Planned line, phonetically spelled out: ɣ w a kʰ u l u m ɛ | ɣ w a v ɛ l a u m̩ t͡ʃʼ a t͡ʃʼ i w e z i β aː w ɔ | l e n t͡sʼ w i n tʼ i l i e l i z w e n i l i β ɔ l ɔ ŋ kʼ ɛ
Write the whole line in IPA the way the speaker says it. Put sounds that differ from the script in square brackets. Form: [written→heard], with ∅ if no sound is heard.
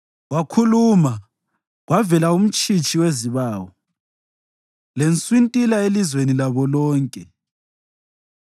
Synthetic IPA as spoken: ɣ w a kʰ u l u m [ɛ→a] | ɣ w a v ɛ l a u m̩ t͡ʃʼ [a→i] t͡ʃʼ i w e z i β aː w ɔ | l e n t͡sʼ w i n tʼ i l [i→a] e l i z w e n i l [i→a] β ɔ l [ɔ→ɔː] ŋ kʼ ɛ

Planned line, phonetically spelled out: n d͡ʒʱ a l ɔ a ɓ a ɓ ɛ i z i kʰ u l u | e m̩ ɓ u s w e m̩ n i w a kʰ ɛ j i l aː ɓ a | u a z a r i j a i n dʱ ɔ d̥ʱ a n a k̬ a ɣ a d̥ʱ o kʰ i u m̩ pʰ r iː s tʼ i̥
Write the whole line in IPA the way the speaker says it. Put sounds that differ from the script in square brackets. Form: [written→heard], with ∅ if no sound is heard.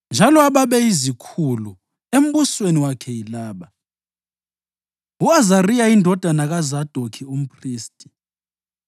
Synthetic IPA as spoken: n d͡ʒʱ a l ɔ a ɓ a ɓ ɛ i z i kʰ u l u | e m̩ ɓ u s w e [m̩→∅] n i w a kʰ ɛ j i l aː ɓ a | u a z a r i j a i n dʱ ɔ d̥ʱ a n a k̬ a [ɣ→z] a d̥ʱ o kʰ i u m̩ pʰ r iː s tʼ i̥

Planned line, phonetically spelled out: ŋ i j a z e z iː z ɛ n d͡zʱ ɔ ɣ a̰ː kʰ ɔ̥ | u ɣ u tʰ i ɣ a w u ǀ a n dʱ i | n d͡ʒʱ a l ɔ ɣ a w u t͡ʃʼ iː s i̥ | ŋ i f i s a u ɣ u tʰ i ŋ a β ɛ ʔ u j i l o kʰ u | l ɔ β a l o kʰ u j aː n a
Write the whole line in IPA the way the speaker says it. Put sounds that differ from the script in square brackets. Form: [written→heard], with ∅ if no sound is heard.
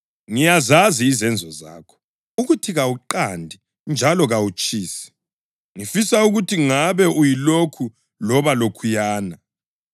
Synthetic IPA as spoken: ŋ i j a z [e→a] z iː z ɛ n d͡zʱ ɔ [ɣ→z] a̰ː kʰ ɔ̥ | u ɣ u tʰ i ɣ a w u [ǀ→ǃ] a n dʱ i | n d͡ʒʱ a l ɔ ɣ a w u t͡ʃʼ iː s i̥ | ŋ i f i s a u ɣ u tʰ i ŋ a β ɛ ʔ u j i l o kʰ u | l ɔ β a l o kʰ u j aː n a

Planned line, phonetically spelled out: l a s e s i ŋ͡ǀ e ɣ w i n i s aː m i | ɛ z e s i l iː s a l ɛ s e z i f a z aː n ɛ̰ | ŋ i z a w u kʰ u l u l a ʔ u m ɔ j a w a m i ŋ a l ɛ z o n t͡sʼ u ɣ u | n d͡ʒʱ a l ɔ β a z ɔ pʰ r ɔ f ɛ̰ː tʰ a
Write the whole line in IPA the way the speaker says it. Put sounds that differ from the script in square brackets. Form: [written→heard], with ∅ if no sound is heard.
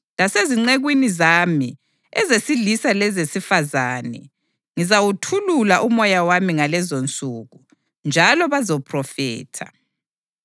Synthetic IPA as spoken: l a s e [s→z] i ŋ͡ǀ e ɣ w i n i [s→z] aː m i | ɛ z e s i l [iː→i] s a l ɛ [s→z] e [z→s] i f a z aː n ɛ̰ | ŋ i z a w u [kʰ→tʰ] u l u l a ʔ u m ɔ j a w a m i ŋ a l ɛ z o n t͡sʼ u ɣ u | n d͡ʒʱ a l ɔ β a z ɔ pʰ r ɔ f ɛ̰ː tʰ a

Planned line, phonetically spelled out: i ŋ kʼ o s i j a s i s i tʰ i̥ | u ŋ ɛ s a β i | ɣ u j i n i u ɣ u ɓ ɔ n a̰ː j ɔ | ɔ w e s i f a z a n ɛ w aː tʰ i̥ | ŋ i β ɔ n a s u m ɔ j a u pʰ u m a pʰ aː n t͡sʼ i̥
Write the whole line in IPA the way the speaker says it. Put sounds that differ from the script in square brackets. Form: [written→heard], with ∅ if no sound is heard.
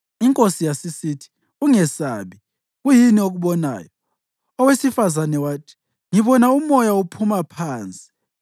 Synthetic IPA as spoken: i ŋ kʼ o s i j a s i s i tʰ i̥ | u ŋ ɛ s a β i | ɣ u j i n i [u→o] ɣ u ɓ ɔ n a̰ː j ɔ | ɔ w e s i f a z a n ɛ w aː tʰ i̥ | ŋ i β ɔ n a [s→∅] u m ɔ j a u pʰ u m a pʰ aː n t͡sʼ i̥

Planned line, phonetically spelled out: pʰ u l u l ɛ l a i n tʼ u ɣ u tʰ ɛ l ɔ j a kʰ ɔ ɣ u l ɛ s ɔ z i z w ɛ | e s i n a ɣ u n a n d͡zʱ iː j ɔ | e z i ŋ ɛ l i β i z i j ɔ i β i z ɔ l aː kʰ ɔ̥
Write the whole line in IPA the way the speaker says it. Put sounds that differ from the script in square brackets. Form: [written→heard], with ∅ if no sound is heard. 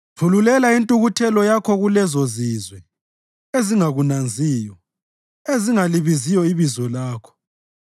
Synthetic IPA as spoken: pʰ u l u l ɛ l a i n tʼ u ɣ u tʰ ɛ l ɔ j a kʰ ɔ ɣ u l ɛ [s→z] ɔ z i z w ɛ | e [s→z] i [n→ŋ] a ɣ u n a n d͡zʱ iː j ɔ | e z i ŋ [ɛ→a] l i β i z i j ɔ i β i z ɔ l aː kʰ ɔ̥

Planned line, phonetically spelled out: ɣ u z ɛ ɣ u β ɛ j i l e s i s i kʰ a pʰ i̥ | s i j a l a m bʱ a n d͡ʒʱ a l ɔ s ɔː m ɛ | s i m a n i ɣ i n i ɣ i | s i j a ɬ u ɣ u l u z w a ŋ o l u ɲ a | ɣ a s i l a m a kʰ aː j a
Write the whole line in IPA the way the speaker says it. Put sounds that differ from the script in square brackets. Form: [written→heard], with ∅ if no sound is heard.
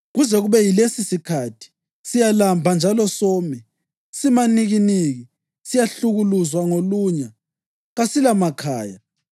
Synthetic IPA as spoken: ɣ u z ɛ ɣ u β ɛ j i l e s i s i kʰ a [pʰ→tʰ] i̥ | s i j a l a m bʱ a n d͡ʒʱ a l ɔ s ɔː m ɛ | s i m a n i ɣ i n i ɣ i | s i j a ɬ u ɣ u l u z w a ŋ o l u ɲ a | ɣ a s i l a m a kʰ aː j a

